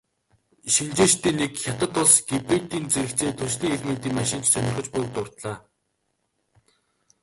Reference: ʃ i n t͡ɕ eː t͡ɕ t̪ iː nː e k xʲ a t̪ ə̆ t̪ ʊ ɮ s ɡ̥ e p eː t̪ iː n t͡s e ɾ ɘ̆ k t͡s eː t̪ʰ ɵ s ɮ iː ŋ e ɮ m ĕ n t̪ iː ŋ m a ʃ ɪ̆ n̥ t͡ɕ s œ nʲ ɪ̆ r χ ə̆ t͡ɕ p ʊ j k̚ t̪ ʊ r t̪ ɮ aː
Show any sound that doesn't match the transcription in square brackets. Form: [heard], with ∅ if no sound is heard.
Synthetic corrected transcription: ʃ i n t͡ɕ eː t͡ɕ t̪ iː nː e k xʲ a t̪ ə̆ t̪ ʊ ɮ s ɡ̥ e p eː t̪ iː n t͡s e ɾ ɘ̆ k t͡s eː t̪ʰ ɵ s ɮ iː ŋ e ɮ m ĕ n t̪ iː ŋ m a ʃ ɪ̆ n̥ t͡ɕ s œ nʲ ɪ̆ r χ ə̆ t͡ɕ p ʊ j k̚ t̪ ʊ r t̪ ɮ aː